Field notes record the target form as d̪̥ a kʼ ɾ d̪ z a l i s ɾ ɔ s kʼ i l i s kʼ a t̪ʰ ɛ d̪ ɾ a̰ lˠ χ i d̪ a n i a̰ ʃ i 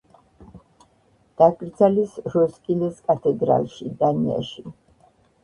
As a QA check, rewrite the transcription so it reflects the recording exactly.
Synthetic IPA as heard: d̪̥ a kʼ ɾ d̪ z a l i s ɾ ɔ s kʼ i l ɛ s kʼ a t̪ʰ ɛ d̪ ɾ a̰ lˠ ʃ i d̪ a n i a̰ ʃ i